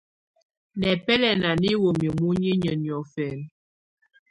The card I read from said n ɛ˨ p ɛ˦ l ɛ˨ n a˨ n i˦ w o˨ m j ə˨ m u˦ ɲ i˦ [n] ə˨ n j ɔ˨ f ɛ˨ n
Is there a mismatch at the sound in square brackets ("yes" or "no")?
yes